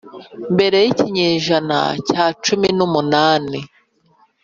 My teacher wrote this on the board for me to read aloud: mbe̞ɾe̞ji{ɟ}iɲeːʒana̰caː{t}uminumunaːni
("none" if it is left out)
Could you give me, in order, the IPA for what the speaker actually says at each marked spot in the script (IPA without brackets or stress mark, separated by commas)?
c, t͡ʃ